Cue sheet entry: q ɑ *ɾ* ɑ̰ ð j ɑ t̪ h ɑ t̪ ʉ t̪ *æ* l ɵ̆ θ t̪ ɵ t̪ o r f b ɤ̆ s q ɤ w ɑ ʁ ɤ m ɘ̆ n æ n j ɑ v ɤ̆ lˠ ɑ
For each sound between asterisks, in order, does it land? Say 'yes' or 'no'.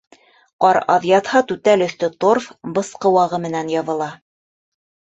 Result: yes, yes

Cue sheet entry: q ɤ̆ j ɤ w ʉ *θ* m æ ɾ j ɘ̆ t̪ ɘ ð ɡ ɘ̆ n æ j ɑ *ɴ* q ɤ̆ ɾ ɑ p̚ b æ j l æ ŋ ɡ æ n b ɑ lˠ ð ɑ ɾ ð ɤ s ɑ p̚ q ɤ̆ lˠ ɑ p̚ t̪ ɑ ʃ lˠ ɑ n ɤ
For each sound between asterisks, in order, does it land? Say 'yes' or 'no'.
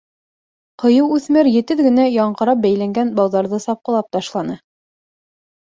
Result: yes, yes

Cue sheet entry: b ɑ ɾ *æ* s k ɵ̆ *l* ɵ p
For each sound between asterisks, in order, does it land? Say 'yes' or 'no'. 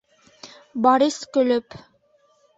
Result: no, yes

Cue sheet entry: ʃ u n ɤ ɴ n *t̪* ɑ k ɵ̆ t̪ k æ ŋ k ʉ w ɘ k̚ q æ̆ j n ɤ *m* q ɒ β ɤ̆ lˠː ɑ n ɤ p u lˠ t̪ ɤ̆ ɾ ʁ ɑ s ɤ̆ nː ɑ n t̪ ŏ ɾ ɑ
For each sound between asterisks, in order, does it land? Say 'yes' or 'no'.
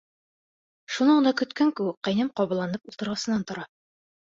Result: no, yes

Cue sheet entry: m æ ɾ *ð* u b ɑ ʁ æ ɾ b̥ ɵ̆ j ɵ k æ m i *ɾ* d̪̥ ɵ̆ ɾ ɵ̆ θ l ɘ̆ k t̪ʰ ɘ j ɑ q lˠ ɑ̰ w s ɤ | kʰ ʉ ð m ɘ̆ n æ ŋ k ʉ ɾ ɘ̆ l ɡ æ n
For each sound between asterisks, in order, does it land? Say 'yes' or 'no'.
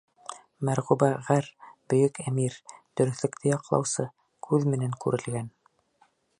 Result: no, yes

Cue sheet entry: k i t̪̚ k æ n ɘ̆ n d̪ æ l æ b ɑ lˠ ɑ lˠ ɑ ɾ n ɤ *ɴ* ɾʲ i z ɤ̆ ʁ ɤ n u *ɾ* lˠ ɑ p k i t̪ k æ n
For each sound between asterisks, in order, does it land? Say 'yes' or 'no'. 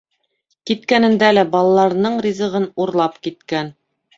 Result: yes, yes

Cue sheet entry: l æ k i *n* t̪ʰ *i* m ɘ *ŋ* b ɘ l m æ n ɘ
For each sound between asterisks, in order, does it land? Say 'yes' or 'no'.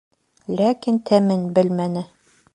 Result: yes, no, no

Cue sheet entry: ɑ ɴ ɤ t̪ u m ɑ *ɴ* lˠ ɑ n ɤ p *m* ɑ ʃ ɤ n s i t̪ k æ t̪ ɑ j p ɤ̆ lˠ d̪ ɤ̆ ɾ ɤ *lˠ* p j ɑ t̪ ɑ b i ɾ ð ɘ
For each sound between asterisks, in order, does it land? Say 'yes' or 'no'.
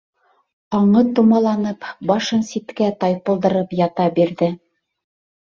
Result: no, no, no

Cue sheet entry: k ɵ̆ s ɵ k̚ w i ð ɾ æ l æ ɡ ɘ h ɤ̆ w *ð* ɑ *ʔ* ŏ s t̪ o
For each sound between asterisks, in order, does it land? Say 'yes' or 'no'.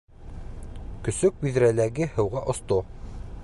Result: no, yes

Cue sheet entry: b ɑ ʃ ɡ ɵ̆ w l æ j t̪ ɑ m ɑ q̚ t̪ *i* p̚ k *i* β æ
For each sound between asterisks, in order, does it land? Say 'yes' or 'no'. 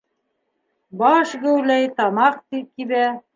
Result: yes, yes

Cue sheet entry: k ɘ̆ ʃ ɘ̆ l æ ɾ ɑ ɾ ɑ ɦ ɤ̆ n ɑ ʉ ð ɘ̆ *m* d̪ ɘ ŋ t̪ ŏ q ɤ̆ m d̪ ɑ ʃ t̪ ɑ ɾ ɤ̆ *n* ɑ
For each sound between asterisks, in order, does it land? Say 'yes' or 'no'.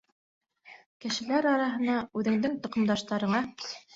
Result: no, no

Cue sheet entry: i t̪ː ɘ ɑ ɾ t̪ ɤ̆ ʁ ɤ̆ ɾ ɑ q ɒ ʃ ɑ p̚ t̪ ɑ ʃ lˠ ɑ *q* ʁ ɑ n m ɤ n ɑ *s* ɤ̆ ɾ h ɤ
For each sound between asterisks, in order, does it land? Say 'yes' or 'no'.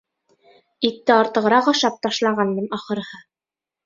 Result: no, no

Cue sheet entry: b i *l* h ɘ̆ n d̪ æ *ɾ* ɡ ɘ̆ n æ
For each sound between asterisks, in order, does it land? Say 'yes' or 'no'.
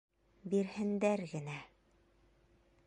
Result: no, yes

